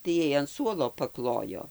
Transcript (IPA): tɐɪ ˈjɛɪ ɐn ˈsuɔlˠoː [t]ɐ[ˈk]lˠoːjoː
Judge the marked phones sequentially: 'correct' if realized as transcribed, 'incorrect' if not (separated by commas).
incorrect, correct